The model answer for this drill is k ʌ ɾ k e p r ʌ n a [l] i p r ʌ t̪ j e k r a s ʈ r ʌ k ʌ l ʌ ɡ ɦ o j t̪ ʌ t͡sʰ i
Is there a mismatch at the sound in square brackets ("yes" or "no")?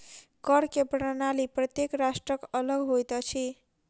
no